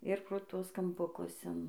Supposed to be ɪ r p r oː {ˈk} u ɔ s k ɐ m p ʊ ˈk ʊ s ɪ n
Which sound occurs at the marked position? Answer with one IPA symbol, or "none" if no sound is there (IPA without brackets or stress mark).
t